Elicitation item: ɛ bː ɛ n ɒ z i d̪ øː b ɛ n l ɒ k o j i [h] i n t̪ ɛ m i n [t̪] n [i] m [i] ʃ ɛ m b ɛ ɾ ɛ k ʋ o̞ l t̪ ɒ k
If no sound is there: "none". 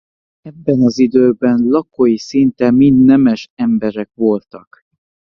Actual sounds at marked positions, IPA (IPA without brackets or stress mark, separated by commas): s, d̪, ɛ, ɛ